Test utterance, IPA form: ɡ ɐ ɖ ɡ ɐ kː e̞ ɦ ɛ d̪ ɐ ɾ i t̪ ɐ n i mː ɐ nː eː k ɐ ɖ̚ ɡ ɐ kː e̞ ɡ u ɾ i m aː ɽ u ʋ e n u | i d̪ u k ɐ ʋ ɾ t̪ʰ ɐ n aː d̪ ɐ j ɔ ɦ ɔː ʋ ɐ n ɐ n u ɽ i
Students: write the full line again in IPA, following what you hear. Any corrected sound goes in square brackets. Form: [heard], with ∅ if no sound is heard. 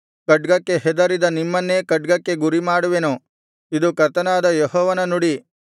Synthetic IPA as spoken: [k] ɐ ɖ ɡ ɐ kː e̞ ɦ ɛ d̪ ɐ ɾ i [d̪] ɐ n i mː ɐ nː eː k ɐ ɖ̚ ɡ ɐ kː e̞ ɡ u ɾ i m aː ɽ u ʋ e n u | i d̪ u k ɐ [∅] ɾ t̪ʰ ɐ n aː d̪ ɐ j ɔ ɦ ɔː ʋ ɐ n ɐ n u ɽ i